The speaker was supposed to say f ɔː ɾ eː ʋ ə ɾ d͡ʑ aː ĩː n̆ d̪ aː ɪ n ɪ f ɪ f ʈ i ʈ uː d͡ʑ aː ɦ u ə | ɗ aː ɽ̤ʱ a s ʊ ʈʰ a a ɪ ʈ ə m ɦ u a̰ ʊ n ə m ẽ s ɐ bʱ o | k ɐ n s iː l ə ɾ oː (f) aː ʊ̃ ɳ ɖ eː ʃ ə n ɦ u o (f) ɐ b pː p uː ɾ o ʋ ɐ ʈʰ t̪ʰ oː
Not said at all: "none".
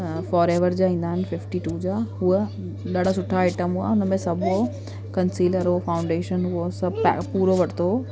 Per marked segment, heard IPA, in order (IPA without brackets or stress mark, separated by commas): f, s